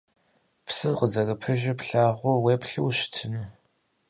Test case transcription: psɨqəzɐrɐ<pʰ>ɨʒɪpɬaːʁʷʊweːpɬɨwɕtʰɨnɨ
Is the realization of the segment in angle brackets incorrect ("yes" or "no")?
no